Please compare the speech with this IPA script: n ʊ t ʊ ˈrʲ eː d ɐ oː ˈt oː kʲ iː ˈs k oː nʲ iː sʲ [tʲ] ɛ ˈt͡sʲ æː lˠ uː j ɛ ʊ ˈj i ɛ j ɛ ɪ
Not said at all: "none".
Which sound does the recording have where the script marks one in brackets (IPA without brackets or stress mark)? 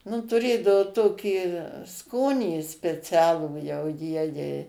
pʲ